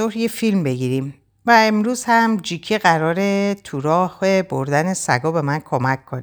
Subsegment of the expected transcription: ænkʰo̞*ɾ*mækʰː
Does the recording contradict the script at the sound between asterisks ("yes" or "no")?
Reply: yes